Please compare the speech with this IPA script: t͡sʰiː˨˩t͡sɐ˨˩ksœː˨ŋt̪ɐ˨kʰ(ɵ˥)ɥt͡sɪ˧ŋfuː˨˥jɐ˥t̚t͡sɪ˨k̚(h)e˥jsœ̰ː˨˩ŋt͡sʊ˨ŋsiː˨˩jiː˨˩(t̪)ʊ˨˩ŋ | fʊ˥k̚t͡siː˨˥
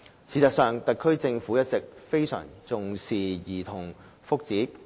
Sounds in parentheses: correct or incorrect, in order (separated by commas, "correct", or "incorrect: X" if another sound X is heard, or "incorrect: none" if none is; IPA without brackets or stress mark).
correct, incorrect: f, incorrect: t̪ʰ